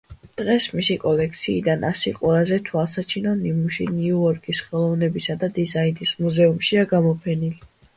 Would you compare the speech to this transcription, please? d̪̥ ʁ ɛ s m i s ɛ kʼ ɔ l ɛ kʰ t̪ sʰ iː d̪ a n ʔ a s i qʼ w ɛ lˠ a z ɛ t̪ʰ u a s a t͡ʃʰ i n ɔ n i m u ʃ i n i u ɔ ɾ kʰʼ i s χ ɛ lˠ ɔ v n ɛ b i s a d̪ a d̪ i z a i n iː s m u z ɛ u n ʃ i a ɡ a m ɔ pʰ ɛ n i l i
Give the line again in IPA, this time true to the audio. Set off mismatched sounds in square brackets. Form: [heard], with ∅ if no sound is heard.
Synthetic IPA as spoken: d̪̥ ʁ ɛ s m i s [i] kʼ ɔ l ɛ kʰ t̪ sʰ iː d̪ a n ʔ a s i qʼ w ɛ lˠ a z ɛ t̪ʰ u a s a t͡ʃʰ i n ɔ n i m u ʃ i n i u ɔ ɾ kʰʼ i s χ ɛ lˠ ɔ v n ɛ b i s a d̪ a d̪ i z a i n [i] s m u z ɛ u [m] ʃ i a ɡ a m ɔ pʰ ɛ n i l i